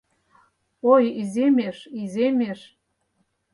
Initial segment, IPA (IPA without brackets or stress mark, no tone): o